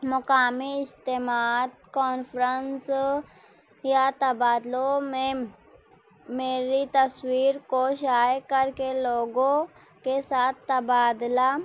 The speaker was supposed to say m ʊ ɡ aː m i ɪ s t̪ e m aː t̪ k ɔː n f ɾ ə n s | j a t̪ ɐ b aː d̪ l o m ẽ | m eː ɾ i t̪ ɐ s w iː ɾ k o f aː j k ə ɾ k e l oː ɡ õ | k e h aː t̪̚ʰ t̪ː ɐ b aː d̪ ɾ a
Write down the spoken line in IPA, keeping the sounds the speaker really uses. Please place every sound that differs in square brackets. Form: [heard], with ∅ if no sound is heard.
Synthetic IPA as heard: m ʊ [k] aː m i ɪ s t̪ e m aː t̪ k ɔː n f ɾ ə n s | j a t̪ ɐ b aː d̪ l o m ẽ | m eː ɾ i t̪ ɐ s w iː ɾ k o [ʃ] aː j k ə ɾ k e l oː ɡ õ | k e [s] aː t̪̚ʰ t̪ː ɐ b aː d̪ [l] a

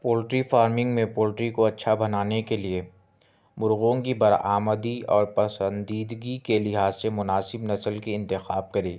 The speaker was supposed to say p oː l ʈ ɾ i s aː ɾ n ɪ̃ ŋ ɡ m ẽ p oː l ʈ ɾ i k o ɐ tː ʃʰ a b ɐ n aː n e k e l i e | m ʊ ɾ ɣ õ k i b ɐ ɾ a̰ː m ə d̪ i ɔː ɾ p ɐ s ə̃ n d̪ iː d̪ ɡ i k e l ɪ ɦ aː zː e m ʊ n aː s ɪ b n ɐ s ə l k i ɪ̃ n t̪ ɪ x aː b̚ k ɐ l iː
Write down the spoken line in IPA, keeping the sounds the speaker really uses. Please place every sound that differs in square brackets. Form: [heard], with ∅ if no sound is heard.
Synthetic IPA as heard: p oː l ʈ ɾ i [f] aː ɾ [m] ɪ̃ ŋ ɡ m ẽ p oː l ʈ ɾ i k o ɐ tː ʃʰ a b ɐ n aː n e k e l i e | m ʊ ɾ ɣ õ k i b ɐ ɾ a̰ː m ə d̪ i ɔː ɾ p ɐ s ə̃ n d̪ iː d̪ ɡ i k e l ɪ ɦ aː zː e m ʊ n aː s ɪ b n ɐ s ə l k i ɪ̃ n t̪ ɪ x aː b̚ k ɐ [ɾ] iː

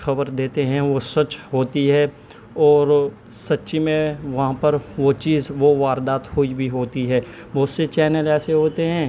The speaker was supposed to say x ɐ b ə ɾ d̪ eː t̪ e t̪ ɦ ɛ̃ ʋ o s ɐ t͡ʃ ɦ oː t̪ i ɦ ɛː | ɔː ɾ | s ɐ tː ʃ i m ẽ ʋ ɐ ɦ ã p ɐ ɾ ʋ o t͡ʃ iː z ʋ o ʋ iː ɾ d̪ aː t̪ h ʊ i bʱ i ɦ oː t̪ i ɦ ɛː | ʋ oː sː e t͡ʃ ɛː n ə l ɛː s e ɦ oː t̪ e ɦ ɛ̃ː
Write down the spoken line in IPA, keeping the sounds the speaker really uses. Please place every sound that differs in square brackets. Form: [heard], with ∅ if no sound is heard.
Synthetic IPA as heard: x ɐ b ə ɾ d̪ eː t̪ e [∅] ɦ ɛ̃ ʋ o s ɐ t͡ʃ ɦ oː t̪ i ɦ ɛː | ɔː ɾ | s ɐ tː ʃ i m ẽ ʋ ɐ ɦ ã p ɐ ɾ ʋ o t͡ʃ iː z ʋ o ʋ [aː] ɾ d̪ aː t̪ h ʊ i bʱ i ɦ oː t̪ i ɦ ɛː | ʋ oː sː e t͡ʃ ɛː n ə l ɛː s e ɦ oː t̪ e ɦ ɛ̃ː

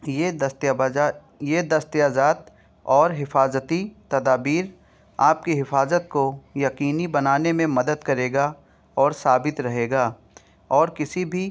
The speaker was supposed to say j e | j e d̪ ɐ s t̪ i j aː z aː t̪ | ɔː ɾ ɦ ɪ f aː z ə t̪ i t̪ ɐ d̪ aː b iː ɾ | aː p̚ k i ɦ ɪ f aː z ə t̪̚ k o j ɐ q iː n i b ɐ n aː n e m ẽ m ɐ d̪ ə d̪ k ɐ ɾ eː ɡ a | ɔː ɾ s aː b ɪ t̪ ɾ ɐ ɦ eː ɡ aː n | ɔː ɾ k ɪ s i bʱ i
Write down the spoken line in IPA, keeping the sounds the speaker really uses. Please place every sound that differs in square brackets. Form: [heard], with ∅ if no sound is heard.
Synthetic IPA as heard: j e | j e d̪ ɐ s t̪ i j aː z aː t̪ | ɔː ɾ ɦ ɪ f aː z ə t̪ i t̪ ɐ d̪ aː b iː ɾ | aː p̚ k i ɦ ɪ f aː z ə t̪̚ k o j ɐ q iː n i b ɐ n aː n e m ẽ m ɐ d̪ ə d̪ k ɐ ɾ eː ɡ a | ɔː ɾ s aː b ɪ t̪ ɾ ɐ ɦ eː ɡ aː [∅] | ɔː ɾ k ɪ s i bʱ i

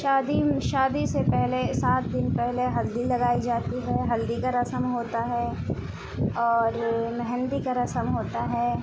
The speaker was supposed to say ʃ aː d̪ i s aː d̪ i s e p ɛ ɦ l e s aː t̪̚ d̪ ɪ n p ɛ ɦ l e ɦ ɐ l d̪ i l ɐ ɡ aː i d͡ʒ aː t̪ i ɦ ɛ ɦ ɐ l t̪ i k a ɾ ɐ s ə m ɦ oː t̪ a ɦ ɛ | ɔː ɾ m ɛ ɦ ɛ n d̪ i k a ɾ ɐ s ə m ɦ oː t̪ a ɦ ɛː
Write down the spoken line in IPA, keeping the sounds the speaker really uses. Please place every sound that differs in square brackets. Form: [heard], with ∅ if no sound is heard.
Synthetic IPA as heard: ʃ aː d̪ i [ʃ] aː d̪ i s e p ɛ ɦ l e s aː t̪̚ d̪ ɪ n p ɛ ɦ l e ɦ ɐ l d̪ i l ɐ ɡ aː i d͡ʒ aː t̪ i ɦ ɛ ɦ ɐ l [d̪] i k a ɾ ɐ s ə m ɦ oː t̪ a ɦ ɛ | ɔː ɾ m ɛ ɦ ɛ n d̪ i k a ɾ ɐ s ə m ɦ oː t̪ a ɦ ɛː

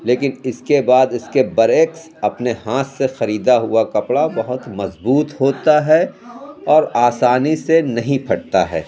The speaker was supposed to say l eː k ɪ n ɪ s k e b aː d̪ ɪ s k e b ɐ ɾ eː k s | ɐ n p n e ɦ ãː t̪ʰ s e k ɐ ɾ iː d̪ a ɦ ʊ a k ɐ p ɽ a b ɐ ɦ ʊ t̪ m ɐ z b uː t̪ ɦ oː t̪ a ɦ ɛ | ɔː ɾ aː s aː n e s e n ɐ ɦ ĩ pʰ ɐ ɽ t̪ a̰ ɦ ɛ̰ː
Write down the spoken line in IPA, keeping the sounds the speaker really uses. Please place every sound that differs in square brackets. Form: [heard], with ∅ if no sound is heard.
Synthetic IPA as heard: l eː k ɪ n ɪ s k e b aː d̪ ɪ s k e b ɐ ɾ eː k s | ɐ [∅] p n e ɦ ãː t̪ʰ s e [x] ɐ ɾ iː d̪ a ɦ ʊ a k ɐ p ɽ a b ɐ ɦ ʊ t̪ m ɐ z b uː t̪ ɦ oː t̪ a ɦ ɛ | ɔː ɾ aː s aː n [i] s e n ɐ ɦ ĩ pʰ ɐ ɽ t̪ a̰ ɦ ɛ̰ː

